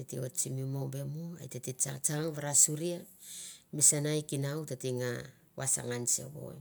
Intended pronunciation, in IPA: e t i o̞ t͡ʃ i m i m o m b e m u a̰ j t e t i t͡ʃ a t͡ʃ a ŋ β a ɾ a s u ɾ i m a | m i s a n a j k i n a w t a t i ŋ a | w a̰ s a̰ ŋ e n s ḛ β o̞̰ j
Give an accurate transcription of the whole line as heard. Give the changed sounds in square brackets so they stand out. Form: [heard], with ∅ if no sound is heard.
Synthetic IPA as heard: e t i o̞ t͡ʃ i m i m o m b e m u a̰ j t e t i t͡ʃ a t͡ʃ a ŋ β a ɾ a s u ɾ i [∅] a | m i s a n a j k i n a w t a t i ŋ a | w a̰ s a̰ ŋ [a] n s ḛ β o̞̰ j